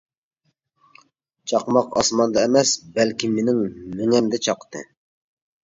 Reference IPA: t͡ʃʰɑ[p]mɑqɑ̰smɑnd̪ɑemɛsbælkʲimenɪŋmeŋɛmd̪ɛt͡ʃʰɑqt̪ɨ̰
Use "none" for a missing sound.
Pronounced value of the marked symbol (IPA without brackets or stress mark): q